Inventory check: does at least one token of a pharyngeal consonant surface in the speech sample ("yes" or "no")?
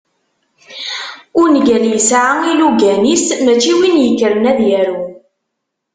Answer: yes